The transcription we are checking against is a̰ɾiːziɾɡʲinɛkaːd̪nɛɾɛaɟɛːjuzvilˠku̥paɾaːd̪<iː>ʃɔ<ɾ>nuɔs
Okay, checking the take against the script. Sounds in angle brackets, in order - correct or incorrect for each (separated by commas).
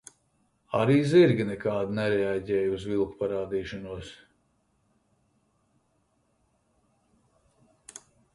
correct, incorrect